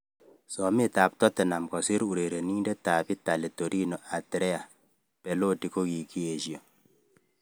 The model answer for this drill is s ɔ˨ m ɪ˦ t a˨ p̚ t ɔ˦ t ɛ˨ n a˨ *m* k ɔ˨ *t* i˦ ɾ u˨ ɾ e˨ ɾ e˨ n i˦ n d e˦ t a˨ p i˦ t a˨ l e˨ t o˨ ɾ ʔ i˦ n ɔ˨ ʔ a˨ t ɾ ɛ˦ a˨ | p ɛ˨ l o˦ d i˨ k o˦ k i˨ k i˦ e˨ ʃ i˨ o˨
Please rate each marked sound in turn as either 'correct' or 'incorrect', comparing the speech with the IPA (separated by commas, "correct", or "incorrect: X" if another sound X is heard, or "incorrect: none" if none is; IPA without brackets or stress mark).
correct, incorrect: s